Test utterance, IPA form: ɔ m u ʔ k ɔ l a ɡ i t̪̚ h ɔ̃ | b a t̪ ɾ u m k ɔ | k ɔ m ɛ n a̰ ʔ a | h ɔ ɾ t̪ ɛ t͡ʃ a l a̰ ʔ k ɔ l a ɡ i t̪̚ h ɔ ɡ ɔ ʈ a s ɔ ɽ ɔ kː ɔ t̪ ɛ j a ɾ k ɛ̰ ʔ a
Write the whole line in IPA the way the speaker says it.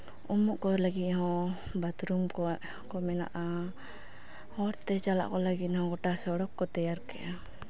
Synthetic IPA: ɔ m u ʔ k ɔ l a ɡ i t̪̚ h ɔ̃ | b a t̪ ɾ u m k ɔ | k ɔ m ɛ n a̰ ʔ a | h ɔ ɾ t̪ ɛ t͡ʃ a l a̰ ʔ k ɔ l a ɡ i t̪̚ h ɔ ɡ ɔ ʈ a s ɔ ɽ ɔ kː ɔ t̪ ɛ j a ɾ k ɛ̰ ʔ a